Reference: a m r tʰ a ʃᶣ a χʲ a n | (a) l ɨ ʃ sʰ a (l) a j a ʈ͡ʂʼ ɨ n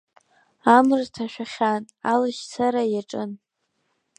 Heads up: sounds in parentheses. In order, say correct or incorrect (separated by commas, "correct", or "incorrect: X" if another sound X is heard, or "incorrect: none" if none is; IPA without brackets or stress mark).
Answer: correct, incorrect: ɾ